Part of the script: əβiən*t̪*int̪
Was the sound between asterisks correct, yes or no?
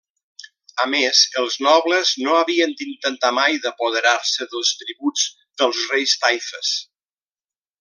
no